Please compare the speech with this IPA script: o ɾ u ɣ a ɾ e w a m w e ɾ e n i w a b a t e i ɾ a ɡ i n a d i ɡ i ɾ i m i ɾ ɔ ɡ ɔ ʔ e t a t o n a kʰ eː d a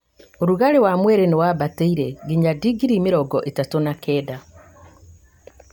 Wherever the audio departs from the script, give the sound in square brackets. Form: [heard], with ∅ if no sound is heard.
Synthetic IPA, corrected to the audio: o ɾ u ɣ a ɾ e w a m w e ɾ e n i w a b a t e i ɾ [e] ɡ i [ɲ] a d i ɡ i ɾ i m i ɾ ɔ ɡ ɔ ʔ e t a t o n a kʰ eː d a